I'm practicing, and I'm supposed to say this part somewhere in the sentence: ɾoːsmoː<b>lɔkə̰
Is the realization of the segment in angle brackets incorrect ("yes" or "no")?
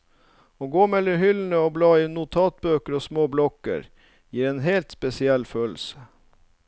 no